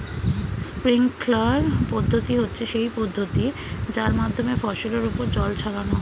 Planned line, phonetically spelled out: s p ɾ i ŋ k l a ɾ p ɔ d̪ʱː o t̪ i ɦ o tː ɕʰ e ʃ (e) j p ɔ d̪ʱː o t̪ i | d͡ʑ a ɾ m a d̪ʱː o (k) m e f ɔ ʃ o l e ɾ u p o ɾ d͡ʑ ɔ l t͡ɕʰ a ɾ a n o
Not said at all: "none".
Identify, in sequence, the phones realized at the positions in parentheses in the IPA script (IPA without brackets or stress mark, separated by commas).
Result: e, none